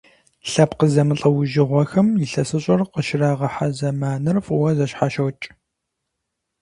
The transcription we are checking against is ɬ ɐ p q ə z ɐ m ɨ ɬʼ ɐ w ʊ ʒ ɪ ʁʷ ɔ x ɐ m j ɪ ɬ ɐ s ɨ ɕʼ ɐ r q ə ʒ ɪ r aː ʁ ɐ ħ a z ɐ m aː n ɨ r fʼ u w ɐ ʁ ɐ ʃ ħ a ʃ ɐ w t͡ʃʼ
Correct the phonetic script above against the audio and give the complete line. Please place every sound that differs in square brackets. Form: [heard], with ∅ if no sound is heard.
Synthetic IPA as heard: ɬ ɐ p q ə z ɐ m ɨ ɬʼ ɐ w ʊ ʒ ɪ ʁʷ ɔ x ɐ m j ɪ ɬ ɐ s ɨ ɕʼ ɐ r q ə [ʃ] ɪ r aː ʁ ɐ ħ a z ɐ m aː n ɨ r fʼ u w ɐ [z] ɐ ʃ ħ a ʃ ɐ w t͡ʃʼ